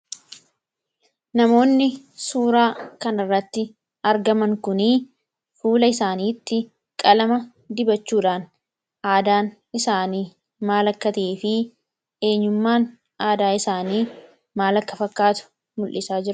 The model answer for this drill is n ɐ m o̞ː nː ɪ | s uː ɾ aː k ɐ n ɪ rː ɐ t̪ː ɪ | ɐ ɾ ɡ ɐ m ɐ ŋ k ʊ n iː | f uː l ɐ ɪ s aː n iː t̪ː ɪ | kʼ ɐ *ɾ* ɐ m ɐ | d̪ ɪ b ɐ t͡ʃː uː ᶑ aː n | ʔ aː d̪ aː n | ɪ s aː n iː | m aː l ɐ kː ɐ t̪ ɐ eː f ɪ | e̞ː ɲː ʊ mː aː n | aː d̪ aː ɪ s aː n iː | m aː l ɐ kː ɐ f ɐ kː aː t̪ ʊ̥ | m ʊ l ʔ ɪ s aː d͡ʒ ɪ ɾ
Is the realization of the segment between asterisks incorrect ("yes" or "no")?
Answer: yes